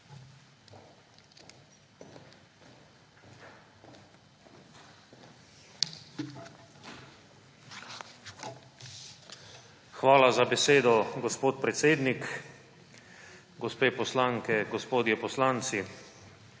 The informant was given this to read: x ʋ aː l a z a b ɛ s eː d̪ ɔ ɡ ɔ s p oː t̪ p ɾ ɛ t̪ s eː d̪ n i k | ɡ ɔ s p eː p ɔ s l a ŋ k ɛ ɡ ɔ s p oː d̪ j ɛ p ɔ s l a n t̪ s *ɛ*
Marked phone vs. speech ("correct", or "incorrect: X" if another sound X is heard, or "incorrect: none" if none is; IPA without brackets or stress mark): incorrect: i